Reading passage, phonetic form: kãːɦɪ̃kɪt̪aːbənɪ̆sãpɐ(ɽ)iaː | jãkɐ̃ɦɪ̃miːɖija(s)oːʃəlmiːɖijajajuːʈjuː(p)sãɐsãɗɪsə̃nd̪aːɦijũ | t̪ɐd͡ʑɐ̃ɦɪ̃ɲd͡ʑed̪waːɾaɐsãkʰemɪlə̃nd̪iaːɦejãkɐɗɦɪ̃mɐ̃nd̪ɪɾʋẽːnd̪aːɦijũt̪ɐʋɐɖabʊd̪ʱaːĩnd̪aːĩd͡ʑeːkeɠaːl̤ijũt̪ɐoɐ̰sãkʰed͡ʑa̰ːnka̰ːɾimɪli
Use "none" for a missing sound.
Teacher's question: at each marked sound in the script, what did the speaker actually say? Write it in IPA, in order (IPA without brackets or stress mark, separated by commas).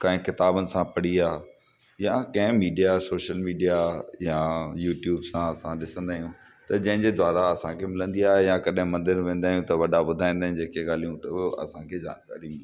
ɽ, s, b